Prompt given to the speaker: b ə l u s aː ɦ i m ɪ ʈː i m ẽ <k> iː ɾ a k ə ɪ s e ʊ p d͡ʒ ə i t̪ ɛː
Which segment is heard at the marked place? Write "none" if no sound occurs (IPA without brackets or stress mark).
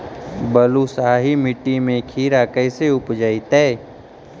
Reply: kʰ